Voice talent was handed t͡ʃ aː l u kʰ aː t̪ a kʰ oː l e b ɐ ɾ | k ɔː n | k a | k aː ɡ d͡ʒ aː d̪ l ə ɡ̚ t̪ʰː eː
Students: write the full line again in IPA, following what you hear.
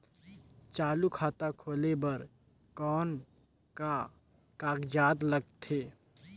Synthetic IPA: t͡ʃ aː l u kʰ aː t̪ a kʰ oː l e b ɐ ɾ | k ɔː n | k a | k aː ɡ d͡ʒ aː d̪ l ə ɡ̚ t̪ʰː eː